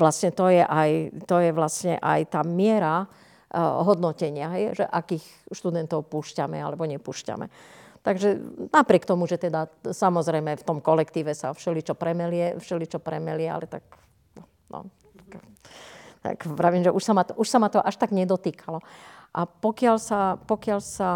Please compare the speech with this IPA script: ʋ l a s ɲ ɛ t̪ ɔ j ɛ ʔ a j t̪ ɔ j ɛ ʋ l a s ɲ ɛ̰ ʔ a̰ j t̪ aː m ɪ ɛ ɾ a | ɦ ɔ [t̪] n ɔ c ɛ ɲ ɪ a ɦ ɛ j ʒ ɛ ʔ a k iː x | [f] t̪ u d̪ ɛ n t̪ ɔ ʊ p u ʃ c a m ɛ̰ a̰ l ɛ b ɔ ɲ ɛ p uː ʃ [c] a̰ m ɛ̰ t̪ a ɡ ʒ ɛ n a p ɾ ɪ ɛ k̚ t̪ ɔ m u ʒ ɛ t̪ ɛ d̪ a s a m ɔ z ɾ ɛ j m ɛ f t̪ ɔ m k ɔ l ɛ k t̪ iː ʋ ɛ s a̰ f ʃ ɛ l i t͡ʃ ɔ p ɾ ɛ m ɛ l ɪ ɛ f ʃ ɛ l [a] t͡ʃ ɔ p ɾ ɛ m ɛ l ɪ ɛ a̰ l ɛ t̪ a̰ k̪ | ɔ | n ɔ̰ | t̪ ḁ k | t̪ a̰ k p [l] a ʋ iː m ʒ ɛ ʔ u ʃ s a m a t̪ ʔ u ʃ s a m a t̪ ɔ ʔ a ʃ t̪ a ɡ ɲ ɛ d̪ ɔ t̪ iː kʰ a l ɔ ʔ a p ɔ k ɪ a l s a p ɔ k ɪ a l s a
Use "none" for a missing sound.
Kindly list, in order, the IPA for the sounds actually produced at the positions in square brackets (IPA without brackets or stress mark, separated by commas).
d̪, ʃ, c, i, ɾ